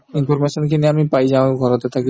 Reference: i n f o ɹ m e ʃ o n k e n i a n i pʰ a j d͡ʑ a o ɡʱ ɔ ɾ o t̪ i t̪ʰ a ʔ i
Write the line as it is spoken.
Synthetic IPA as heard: i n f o ɾ m e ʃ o n k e n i a m i p a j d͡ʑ a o ɡʱ ɔ ɾ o t̪ e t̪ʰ a k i